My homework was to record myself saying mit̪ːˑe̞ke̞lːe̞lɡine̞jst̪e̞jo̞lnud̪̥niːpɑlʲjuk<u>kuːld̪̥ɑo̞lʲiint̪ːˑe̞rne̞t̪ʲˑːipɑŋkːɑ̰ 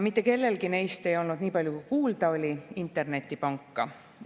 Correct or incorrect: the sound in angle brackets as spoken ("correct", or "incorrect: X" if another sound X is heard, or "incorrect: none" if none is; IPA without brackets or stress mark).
correct